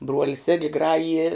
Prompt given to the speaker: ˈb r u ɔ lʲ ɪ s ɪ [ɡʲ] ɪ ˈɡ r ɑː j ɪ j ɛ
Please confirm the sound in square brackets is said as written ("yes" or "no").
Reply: yes